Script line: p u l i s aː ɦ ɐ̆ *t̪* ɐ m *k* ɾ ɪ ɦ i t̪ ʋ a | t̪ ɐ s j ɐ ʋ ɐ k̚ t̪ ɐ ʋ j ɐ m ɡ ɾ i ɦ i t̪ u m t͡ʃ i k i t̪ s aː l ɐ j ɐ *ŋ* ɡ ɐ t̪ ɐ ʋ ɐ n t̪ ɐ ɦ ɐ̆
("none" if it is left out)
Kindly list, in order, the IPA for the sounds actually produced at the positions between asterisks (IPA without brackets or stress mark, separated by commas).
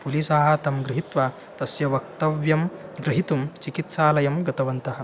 t̪, ɡ, m